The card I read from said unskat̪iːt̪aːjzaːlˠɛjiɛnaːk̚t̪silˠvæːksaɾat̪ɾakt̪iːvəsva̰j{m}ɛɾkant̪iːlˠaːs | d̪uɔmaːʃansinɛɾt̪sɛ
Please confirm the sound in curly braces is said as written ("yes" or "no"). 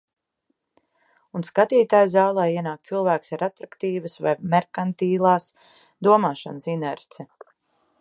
yes